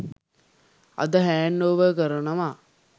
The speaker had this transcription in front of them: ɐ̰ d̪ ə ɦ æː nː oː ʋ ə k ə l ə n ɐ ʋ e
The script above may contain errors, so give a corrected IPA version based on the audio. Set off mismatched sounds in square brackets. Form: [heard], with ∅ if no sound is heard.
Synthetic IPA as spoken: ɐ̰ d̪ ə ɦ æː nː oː ʋ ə k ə [ɾ] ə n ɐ ʋ [a]